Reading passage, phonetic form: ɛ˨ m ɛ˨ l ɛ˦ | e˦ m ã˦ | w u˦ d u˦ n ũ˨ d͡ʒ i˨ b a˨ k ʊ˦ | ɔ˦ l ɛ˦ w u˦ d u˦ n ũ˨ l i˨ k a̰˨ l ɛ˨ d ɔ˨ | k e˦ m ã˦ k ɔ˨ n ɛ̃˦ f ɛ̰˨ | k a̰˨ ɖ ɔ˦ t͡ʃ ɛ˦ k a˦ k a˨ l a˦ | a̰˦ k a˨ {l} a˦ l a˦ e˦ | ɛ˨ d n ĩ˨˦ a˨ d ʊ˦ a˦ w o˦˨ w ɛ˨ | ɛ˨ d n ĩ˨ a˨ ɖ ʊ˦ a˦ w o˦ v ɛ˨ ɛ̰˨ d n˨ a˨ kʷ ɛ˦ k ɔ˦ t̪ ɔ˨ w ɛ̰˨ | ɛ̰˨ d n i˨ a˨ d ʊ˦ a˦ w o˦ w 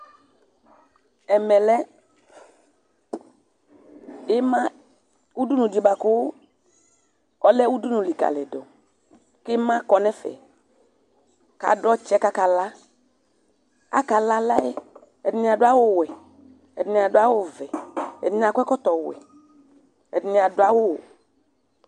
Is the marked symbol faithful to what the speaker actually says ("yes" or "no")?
yes